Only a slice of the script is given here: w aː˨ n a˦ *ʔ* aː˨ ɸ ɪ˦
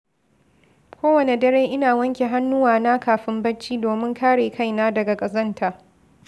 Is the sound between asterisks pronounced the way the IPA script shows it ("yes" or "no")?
no